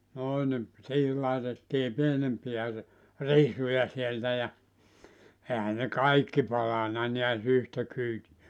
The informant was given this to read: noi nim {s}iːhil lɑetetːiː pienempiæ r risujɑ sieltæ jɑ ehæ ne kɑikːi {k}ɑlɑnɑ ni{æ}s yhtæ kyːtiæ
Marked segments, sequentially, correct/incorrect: correct, incorrect: p, correct

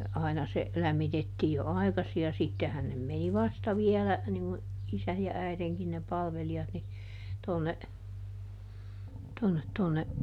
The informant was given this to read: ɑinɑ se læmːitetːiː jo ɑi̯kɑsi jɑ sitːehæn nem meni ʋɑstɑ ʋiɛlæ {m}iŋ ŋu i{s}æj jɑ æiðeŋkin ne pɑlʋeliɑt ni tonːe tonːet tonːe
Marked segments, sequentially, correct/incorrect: incorrect: n, correct

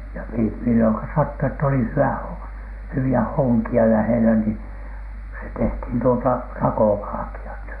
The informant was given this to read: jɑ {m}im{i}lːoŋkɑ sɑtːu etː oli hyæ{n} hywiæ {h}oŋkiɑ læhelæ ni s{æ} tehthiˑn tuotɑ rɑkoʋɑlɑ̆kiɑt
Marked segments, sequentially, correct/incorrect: correct, correct, incorrect: none, correct, incorrect: e

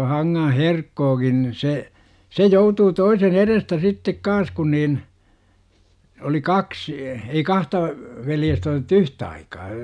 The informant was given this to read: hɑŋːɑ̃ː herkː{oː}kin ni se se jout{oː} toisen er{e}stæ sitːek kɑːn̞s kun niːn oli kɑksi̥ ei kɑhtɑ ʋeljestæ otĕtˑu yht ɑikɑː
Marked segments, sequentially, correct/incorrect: correct, incorrect: uː, correct

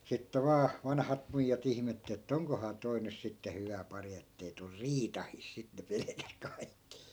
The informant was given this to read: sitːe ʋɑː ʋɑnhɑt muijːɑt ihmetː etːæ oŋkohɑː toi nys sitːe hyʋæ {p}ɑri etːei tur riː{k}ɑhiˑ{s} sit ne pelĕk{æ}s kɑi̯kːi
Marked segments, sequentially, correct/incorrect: correct, incorrect: t, correct, correct

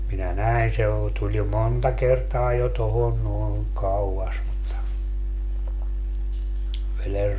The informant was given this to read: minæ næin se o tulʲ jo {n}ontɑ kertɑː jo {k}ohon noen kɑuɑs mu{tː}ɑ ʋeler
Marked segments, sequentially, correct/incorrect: incorrect: m, incorrect: t, correct

